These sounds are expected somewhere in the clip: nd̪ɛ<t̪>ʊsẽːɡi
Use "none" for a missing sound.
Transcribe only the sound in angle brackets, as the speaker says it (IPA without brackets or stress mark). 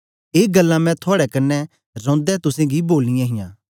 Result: t̪